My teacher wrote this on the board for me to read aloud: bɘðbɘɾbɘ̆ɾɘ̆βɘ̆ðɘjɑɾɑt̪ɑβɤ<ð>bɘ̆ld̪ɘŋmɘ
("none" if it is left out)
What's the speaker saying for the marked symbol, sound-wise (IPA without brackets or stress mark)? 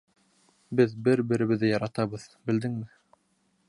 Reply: ð